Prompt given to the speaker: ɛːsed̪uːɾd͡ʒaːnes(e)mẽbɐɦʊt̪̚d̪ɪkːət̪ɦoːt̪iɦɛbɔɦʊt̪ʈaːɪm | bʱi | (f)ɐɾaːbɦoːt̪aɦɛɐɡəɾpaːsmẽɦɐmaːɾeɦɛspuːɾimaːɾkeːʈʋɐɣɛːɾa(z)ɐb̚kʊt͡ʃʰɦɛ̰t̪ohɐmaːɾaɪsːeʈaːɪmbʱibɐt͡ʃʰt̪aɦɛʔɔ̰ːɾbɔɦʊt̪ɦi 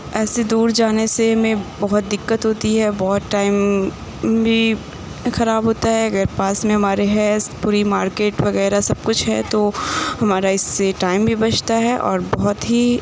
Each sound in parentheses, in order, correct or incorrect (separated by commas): correct, incorrect, incorrect